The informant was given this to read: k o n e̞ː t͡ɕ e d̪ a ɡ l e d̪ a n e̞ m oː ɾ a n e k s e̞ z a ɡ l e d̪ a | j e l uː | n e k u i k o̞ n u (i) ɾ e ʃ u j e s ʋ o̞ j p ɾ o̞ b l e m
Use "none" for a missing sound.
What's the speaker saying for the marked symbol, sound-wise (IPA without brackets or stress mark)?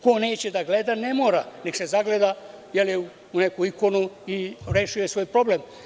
i